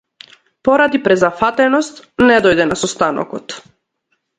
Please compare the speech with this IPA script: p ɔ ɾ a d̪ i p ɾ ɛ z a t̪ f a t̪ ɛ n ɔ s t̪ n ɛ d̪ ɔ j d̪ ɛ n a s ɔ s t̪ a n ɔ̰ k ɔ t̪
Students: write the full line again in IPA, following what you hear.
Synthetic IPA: p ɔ ɾ a d̪ i p ɾ ɛ z a f a t̪ ɛ n ɔ s t̪ n ɛ d̪ ɔ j d̪ ɛ n a s ɔ s t̪ a n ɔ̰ k ɔ t̪